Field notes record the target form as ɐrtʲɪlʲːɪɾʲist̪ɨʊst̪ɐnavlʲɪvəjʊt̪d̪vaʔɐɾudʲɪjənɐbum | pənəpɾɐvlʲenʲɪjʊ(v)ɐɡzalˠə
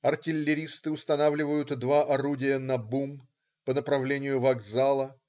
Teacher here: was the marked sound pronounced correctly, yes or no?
yes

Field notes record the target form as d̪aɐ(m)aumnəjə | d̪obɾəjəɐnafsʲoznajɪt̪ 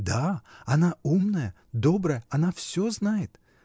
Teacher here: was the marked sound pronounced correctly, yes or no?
no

